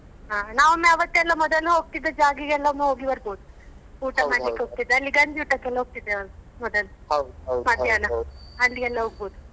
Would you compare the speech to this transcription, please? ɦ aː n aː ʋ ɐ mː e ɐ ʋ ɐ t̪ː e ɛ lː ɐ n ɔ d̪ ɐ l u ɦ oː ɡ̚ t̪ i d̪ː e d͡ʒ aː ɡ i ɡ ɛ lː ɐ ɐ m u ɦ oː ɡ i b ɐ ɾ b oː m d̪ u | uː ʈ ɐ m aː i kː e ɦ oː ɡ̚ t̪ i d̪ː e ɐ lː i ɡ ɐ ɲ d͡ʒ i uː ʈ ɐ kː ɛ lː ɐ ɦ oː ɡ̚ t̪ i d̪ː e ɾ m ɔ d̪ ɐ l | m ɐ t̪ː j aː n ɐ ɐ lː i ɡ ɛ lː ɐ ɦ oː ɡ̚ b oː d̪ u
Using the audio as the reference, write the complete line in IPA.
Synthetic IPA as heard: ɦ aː n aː ʋ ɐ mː e ɐ ʋ ɐ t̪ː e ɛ lː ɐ m ɔ d̪ ɐ l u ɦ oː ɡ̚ t̪ i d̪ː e d͡ʒ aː ɡ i ɡ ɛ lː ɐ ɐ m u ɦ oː ɡ i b ɐ ɾ b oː d̪ u | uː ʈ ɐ m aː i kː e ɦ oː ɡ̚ t̪ i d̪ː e ɐ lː i ɡ ɐ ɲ d͡ʒ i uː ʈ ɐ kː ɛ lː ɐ ɦ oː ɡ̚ t̪ i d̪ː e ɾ m ɔ d̪ ɐ l | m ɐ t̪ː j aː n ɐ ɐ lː i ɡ ɛ lː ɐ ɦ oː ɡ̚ b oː d̪ u